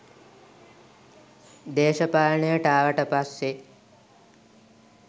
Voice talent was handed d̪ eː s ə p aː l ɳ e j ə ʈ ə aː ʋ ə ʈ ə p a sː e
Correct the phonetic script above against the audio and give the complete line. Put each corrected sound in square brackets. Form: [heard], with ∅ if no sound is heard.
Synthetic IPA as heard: d̪ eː [ʃ] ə p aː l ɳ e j ə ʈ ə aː ʋ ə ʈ ə p a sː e